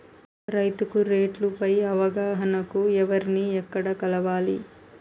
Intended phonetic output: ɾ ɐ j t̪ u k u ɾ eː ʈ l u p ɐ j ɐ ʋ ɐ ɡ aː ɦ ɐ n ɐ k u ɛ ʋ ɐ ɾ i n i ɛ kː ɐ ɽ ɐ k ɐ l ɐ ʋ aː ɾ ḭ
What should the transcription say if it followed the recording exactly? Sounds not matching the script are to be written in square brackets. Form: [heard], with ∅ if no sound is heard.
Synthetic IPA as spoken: ɾ ɐ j t̪ u k u ɾ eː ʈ l u p ɐ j ɐ ʋ ɐ ɡ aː ɦ ɐ n ɐ k u ɛ ʋ ɐ ɾ i n i ɛ kː ɐ ɽ ɐ k ɐ l ɐ ʋ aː [l] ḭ